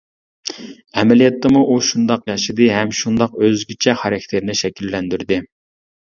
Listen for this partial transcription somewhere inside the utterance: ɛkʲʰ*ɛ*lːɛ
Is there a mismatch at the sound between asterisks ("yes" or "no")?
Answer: yes